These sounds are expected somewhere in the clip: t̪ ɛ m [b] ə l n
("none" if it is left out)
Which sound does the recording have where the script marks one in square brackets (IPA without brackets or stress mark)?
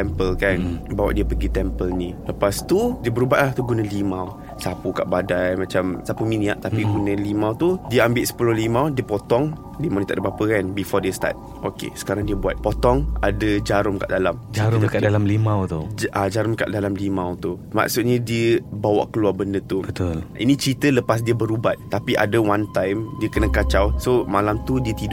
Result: p